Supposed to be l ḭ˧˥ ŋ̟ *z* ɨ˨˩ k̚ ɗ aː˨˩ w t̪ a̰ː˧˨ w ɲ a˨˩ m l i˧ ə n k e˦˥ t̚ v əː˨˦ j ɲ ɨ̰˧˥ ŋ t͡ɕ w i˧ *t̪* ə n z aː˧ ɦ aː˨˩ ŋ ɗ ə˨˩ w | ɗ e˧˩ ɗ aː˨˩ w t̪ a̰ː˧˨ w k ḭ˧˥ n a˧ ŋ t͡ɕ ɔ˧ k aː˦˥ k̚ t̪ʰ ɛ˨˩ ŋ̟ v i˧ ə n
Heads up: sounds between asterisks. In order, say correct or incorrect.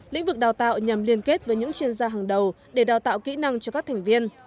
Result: incorrect, incorrect

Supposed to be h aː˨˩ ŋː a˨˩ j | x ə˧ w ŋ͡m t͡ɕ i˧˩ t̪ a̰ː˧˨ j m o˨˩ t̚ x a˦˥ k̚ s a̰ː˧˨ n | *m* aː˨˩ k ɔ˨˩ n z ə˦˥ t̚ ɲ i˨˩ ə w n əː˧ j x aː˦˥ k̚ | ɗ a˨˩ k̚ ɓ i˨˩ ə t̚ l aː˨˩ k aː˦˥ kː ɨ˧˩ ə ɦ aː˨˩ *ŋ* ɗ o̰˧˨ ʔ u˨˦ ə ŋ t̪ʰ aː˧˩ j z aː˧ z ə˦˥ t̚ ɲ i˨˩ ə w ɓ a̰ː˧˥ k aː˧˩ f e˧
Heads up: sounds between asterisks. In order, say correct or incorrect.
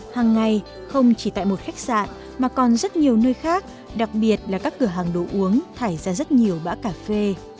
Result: correct, correct

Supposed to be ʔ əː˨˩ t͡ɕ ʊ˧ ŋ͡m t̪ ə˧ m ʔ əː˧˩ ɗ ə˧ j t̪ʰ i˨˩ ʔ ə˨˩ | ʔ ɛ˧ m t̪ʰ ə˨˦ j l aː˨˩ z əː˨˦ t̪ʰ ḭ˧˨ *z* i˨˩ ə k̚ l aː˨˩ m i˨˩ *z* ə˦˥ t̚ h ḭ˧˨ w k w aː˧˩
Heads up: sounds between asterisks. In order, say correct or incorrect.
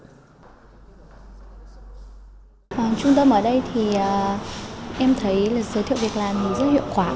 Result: incorrect, correct

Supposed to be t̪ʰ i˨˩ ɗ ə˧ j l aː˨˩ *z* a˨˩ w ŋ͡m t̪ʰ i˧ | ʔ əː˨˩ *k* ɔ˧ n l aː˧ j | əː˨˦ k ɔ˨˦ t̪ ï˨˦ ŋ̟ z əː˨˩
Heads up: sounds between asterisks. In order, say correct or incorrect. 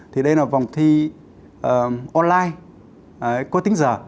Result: incorrect, incorrect

